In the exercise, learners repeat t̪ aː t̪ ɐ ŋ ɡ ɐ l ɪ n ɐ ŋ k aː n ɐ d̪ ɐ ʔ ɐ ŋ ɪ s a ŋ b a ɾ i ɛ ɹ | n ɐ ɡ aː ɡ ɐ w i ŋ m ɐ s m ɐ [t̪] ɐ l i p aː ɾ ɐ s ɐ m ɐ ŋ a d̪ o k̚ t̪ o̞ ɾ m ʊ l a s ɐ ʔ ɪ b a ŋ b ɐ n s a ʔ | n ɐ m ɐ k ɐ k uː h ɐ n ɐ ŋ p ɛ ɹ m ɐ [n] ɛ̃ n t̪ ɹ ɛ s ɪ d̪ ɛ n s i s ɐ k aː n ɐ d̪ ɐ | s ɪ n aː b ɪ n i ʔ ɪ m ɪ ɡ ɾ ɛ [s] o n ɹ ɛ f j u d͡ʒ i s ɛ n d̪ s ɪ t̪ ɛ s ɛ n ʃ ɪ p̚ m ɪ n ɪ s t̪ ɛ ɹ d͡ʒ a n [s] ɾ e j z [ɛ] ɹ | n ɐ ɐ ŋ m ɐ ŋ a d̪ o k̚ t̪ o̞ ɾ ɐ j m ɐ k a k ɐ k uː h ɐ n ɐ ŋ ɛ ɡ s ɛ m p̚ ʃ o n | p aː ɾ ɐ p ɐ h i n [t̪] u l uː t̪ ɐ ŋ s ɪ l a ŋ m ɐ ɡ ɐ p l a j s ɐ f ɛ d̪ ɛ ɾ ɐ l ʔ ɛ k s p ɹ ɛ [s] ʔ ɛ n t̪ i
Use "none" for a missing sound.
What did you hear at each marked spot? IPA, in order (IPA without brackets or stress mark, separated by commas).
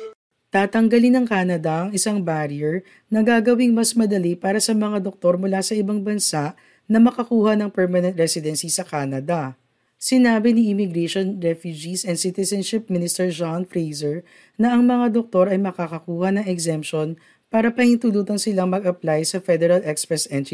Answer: d̪, n, ʃ, f, ɛ, t̪, s